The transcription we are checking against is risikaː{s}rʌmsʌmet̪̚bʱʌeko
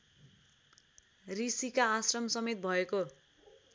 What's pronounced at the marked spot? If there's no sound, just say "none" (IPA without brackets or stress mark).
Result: s